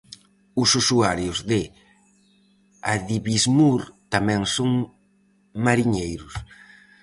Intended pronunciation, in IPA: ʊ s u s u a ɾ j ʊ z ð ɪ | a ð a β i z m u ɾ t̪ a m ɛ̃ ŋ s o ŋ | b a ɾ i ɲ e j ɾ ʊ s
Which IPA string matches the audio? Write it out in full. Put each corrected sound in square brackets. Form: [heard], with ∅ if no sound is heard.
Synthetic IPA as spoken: ʊ s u s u a ɾ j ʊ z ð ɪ | a ð [i] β i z m u ɾ t̪ a m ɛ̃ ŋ s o ŋ | [m] a ɾ i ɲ e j ɾ ʊ s